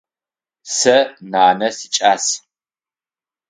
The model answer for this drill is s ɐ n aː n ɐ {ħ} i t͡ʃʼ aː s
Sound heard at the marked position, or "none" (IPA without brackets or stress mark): s